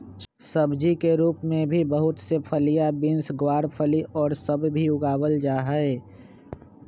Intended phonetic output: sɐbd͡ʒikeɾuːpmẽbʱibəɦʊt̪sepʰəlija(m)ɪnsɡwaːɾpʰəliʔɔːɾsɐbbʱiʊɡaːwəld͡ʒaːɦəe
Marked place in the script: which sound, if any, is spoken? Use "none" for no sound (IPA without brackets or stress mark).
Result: b